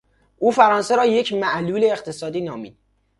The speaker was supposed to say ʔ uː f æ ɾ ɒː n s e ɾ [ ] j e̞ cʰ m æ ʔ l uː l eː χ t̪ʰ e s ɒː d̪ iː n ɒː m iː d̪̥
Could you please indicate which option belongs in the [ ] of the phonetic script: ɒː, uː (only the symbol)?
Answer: ɒː